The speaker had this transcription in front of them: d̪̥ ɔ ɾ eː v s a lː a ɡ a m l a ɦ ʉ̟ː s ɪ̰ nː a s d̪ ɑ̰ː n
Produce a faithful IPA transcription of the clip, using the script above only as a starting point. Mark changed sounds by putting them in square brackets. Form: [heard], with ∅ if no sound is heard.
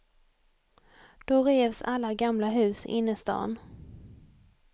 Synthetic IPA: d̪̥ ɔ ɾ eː v s a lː a ɡ a m l a ɦ ʉ̟ː s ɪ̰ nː [ə] s [t̪] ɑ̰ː n